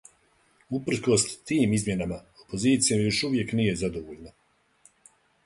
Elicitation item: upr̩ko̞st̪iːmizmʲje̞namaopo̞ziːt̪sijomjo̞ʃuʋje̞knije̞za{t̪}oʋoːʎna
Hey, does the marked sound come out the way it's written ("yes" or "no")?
no